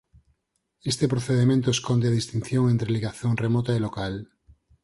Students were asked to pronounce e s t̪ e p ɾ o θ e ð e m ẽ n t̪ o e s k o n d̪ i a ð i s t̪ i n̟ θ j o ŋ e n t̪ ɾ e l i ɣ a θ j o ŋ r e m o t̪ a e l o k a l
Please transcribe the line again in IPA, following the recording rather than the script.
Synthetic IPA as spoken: e s t̪ e p ɾ o θ e ð e m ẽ n t̪ o e s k o n d̪ e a ð i s t̪ i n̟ θ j o ŋ e n t̪ ɾ e l i ɣ a θ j o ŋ r e m o t̪ a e l o k a l